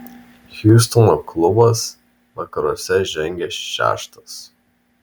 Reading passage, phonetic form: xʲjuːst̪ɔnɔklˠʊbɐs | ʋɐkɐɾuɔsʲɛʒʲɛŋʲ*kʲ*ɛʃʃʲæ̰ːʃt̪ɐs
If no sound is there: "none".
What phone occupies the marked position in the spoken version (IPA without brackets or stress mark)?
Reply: ɡʲ